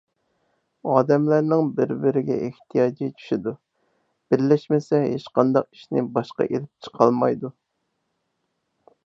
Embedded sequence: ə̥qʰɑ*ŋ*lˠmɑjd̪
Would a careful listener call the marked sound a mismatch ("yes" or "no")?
yes